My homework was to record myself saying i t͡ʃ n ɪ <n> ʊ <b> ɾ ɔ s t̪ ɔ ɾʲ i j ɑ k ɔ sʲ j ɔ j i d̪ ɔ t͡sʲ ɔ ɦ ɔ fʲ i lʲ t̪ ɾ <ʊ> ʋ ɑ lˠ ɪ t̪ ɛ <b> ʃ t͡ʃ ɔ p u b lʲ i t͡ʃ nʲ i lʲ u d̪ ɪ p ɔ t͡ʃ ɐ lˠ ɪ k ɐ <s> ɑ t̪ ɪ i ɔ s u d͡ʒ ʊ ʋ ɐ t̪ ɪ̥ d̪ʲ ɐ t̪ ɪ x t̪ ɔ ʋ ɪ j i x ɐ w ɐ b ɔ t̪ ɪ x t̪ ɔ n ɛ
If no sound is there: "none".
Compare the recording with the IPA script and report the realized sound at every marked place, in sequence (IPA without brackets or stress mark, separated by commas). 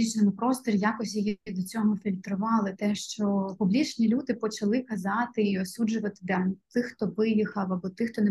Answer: m, p, ʊ, none, z